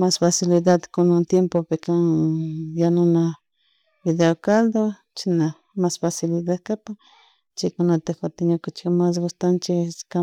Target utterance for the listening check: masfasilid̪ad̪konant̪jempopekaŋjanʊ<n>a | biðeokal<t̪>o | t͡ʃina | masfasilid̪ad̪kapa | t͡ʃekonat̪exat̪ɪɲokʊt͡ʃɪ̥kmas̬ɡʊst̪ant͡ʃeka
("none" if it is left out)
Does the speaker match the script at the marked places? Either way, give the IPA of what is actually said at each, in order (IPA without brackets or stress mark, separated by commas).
n, d̪